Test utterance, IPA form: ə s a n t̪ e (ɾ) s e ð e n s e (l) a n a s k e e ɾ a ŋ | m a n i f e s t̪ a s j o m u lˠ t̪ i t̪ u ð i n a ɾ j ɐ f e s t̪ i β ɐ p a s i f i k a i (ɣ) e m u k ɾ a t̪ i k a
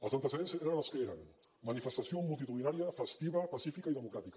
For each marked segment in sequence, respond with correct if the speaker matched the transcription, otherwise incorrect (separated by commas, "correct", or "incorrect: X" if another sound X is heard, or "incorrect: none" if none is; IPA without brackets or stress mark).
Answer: incorrect: none, incorrect: ɾ, incorrect: ð